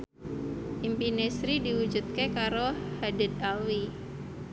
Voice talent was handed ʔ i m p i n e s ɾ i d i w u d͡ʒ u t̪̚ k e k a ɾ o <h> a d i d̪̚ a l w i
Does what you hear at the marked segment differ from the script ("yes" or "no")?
no